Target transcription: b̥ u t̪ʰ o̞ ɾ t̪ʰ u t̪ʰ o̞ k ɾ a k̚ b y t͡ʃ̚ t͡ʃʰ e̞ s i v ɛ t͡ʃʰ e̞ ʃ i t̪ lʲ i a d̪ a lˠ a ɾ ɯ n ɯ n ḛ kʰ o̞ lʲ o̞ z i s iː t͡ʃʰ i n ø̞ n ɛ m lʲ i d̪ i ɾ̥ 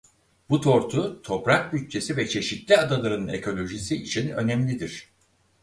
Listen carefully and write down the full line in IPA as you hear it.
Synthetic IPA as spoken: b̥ u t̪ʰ o̞ ɾ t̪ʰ u t̪ʰ o̞ p ɾ a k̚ b y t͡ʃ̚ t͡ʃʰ e̞ s i v ɛ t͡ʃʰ e̞ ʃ i t̪ lʲ i a d̪ a lˠ a ɾ ɯ n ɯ n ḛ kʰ o̞ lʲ o̞ ʒ i s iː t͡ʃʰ i n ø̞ n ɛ m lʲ i d̪ i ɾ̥